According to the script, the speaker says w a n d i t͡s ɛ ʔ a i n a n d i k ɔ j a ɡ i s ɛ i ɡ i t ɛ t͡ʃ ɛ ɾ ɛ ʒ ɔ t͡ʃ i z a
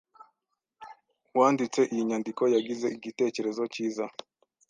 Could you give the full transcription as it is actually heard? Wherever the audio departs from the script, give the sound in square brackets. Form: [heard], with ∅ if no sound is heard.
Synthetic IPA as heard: w a n d i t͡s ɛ ʔ [i] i [ɲ] a n d i k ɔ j a ɡ i [z] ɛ i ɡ i t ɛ t͡ʃ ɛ ɾ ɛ [z] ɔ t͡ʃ i z a